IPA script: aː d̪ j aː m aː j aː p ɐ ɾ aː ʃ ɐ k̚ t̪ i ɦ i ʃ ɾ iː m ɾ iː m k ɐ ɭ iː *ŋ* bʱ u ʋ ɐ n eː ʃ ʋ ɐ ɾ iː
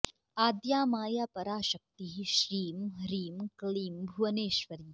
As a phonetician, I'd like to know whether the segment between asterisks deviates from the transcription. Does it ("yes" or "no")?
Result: yes